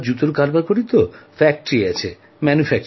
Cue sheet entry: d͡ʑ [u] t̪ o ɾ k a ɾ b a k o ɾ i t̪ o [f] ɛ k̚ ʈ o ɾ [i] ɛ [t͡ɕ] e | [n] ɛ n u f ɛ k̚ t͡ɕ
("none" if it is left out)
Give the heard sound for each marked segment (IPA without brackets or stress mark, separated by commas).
u, f, i, t͡ɕʰ, m